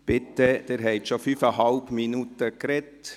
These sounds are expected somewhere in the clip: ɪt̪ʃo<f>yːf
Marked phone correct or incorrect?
correct